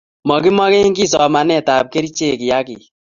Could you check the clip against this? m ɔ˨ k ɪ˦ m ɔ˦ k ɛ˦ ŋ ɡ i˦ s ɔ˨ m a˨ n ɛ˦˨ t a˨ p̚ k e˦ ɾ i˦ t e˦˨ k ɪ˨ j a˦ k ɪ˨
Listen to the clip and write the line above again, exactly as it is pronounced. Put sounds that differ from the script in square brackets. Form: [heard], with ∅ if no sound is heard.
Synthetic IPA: m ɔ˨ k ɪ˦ m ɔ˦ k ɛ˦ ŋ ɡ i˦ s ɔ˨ m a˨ n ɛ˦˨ t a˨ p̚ k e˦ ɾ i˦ [t͡ʃ] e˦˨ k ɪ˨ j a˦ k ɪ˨